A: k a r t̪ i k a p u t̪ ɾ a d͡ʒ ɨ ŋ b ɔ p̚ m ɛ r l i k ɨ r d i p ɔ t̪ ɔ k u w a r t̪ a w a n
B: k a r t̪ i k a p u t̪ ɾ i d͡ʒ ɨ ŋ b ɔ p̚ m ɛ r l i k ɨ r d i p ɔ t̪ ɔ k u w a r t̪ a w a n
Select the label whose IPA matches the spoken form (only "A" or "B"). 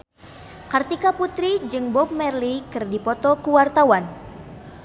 B